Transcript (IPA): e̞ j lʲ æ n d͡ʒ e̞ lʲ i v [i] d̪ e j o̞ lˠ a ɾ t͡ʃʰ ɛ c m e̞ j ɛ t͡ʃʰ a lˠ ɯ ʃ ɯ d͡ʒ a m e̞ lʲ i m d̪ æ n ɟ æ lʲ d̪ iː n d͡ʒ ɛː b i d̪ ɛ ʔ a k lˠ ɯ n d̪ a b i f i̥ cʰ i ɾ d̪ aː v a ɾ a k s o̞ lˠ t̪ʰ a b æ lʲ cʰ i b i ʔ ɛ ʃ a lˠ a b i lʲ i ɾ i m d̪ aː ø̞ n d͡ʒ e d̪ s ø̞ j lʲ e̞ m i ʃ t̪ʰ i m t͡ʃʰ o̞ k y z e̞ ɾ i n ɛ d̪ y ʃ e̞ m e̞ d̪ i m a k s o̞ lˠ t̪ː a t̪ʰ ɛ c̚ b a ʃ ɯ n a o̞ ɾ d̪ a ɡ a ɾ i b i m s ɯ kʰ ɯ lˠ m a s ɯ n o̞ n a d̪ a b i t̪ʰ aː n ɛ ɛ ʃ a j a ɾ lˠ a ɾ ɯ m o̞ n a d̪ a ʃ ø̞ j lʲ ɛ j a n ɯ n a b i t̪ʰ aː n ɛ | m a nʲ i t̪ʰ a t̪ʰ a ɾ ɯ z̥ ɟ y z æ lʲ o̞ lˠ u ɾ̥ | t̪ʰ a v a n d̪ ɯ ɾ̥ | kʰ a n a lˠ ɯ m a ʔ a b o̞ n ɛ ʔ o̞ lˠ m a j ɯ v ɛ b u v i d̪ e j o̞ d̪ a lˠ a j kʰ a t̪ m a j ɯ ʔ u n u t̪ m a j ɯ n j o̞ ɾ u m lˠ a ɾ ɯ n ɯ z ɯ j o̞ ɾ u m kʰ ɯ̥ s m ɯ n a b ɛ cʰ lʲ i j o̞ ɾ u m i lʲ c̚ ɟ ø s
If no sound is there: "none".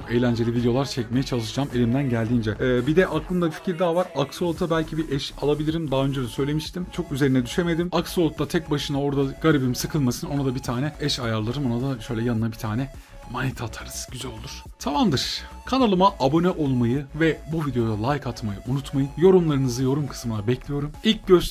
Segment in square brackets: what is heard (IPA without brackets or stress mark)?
i